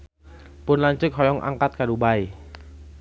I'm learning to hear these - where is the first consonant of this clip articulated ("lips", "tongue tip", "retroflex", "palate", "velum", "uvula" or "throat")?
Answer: lips